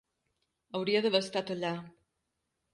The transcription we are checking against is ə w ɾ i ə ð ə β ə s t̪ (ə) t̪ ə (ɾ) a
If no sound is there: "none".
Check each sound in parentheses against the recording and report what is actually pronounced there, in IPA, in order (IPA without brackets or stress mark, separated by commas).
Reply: a, ʎ